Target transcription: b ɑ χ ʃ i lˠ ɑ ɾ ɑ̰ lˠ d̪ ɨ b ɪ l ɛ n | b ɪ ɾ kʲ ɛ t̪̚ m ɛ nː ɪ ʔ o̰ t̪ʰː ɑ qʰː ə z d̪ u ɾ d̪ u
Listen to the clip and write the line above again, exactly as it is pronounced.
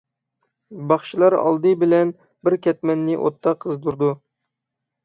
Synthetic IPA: b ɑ χ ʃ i lˠ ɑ ɾ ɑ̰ lˠ d̪ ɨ b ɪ l ɛ n | b ɪ ɾ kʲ ɛ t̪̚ m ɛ nː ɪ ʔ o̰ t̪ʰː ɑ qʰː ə z d̪ u ɾ d̪ u